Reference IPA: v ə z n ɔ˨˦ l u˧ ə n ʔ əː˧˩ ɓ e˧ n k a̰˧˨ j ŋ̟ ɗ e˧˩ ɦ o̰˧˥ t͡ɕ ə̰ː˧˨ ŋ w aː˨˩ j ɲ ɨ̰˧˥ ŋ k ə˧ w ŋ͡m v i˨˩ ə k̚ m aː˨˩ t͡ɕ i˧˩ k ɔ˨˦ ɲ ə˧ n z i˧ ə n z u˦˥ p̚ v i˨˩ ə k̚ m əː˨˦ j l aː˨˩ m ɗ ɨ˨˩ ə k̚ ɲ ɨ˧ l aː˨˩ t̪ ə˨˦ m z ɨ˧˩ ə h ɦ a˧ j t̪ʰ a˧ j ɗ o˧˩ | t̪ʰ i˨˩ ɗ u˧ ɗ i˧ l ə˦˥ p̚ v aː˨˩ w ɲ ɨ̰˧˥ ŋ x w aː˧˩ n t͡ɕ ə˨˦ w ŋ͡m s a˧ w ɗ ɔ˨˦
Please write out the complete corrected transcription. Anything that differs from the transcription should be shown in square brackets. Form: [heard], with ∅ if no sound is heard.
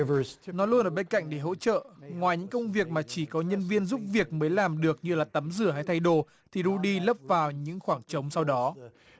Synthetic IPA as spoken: v ə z n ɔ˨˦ l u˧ ə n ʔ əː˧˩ ɓ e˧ n k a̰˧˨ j ŋ̟ ɗ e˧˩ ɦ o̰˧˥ t͡ɕ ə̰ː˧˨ ŋ w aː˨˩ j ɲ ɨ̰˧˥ ŋ k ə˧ w ŋ͡m v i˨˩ ə k̚ m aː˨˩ t͡ɕ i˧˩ k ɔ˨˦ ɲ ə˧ n [v] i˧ ə n z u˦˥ p̚ v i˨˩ ə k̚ m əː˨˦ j l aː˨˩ m ɗ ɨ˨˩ ə k̚ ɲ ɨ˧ l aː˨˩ t̪ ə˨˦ m z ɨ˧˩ ə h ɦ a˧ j t̪ʰ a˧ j ɗ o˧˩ | t̪ʰ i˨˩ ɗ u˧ ɗ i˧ l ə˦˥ p̚ v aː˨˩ w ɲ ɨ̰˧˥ ŋ x w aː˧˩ [ŋ] t͡ɕ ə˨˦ w ŋ͡m s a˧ w ɗ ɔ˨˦